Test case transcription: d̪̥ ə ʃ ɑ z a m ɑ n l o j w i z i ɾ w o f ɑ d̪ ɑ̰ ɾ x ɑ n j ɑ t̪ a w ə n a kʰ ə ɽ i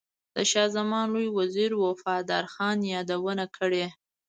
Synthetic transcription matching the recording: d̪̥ ə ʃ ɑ z a m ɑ n l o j w a z i ɾ w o f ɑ d̪ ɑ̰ ɾ x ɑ n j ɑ d̪ a w ə n a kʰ ə ɽ e